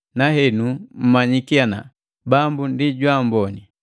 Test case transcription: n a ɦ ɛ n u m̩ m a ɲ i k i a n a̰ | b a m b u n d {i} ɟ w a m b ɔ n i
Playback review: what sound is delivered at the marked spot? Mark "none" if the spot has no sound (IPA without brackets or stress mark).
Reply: i